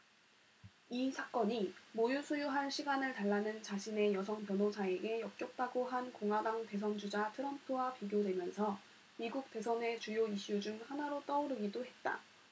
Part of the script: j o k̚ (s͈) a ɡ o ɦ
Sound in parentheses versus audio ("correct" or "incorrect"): incorrect